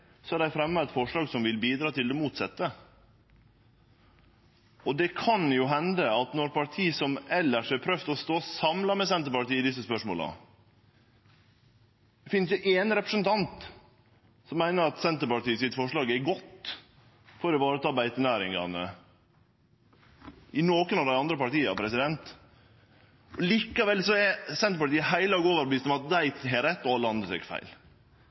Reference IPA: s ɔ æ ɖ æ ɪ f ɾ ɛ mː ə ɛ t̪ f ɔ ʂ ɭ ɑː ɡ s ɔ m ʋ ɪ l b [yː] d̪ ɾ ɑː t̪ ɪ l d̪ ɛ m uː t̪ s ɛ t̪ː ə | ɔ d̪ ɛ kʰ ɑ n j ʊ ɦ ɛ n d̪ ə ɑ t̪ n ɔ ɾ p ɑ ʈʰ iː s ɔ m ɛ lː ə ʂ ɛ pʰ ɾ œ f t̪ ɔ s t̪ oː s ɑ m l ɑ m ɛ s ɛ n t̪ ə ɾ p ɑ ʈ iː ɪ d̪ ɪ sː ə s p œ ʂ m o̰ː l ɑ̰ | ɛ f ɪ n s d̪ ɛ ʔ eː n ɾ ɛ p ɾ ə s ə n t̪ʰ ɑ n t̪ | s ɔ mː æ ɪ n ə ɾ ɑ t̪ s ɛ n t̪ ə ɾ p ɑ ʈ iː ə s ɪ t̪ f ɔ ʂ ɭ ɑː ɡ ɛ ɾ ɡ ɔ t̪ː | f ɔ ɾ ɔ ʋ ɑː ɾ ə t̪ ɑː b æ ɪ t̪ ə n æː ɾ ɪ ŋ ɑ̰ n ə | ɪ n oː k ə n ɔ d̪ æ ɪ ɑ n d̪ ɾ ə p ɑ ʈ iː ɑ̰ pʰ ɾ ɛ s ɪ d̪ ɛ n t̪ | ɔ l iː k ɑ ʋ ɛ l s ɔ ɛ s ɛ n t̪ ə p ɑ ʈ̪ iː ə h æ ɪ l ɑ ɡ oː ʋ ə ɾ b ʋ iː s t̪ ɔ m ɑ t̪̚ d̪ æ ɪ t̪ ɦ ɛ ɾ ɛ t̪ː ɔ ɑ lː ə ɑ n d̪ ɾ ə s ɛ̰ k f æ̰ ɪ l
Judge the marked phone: incorrect: iː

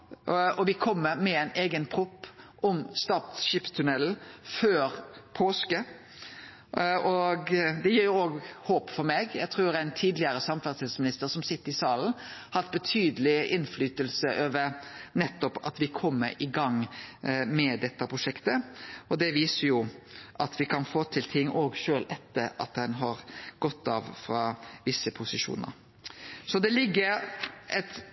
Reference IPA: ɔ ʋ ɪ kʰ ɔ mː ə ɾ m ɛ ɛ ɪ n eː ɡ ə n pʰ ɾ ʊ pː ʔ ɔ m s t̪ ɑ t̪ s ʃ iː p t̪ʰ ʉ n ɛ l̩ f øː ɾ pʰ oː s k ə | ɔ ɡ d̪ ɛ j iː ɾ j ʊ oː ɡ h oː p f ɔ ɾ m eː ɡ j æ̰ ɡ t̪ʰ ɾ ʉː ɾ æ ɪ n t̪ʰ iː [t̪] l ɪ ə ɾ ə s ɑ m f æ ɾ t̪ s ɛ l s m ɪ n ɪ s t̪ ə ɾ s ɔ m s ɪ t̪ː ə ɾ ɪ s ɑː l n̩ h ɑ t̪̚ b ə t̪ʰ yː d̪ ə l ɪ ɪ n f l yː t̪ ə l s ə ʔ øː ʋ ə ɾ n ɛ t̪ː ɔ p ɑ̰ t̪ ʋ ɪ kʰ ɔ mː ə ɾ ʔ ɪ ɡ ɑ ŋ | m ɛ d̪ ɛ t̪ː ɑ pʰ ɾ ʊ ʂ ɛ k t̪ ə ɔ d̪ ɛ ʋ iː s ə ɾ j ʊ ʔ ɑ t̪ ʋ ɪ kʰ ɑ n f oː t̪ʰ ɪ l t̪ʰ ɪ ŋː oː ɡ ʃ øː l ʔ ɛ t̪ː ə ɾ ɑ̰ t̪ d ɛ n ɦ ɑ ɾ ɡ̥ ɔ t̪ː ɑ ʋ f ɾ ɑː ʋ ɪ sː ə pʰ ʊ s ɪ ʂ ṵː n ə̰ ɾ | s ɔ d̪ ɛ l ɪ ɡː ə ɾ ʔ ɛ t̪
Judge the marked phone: incorrect: d̪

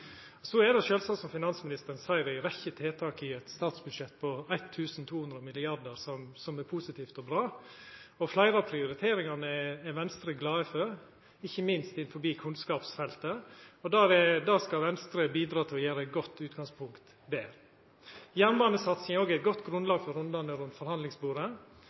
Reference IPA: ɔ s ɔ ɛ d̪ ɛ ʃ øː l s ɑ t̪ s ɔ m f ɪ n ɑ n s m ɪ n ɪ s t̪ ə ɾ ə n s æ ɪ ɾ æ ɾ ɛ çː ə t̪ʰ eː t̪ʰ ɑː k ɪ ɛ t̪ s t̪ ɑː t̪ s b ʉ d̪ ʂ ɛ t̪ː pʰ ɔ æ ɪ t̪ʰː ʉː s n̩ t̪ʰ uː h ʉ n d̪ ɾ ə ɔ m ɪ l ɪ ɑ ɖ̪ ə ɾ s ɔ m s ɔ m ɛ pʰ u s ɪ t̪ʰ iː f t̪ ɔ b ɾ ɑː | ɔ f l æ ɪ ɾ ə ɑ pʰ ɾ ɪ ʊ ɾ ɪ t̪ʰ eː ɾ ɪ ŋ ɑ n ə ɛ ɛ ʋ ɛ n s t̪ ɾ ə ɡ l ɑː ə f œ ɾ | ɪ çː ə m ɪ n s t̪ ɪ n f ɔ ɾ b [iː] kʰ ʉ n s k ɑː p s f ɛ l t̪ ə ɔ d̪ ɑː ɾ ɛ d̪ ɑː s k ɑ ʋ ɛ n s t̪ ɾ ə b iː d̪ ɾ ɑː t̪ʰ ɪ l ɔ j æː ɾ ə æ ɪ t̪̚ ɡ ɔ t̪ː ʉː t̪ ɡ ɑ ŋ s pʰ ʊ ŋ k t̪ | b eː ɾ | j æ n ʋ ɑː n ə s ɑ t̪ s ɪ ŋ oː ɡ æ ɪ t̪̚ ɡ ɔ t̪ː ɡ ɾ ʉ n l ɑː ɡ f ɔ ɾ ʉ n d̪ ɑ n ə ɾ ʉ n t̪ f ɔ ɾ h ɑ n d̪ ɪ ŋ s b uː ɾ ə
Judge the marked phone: correct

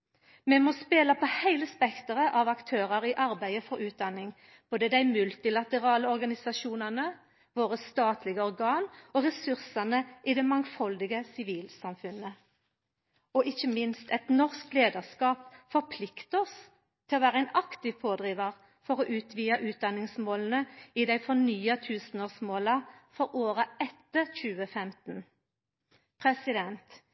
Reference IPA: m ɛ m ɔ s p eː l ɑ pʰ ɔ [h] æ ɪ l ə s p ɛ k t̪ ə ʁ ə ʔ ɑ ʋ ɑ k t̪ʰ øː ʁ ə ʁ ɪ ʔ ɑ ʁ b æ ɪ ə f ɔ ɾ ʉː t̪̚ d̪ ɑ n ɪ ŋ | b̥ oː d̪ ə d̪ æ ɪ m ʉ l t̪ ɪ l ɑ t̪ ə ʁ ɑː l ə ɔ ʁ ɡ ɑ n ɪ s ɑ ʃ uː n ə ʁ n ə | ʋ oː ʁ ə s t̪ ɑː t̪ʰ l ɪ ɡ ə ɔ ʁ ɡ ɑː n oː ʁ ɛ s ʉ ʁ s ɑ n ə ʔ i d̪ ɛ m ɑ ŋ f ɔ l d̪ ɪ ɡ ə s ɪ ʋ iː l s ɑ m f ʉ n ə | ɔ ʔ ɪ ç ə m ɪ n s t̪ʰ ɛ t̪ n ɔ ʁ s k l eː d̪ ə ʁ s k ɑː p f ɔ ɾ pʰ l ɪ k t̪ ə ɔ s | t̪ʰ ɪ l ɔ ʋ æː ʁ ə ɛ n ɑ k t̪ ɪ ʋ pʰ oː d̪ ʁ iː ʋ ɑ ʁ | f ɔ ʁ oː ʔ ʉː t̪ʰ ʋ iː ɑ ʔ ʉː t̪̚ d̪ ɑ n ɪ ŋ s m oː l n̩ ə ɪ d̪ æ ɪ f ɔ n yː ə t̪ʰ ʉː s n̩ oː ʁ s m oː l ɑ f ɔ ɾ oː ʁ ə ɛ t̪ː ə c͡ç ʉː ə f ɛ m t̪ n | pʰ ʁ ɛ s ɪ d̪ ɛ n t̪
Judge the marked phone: correct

